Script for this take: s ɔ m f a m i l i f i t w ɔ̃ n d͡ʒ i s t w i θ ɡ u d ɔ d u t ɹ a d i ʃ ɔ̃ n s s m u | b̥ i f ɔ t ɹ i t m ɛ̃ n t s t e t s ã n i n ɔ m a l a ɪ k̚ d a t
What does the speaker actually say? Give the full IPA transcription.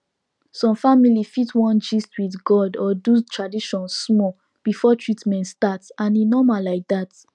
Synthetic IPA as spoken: s ɔ̃ m f a m i l i f i t w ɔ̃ n d͡ʒ i s t w i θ ɡ ɔ d ɔ d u t ɹ a d i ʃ ɔ̃ n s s m ɔ | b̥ i f ɔ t ɹ i t m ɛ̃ n t s t a t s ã n i n ɔ m a l a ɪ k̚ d a t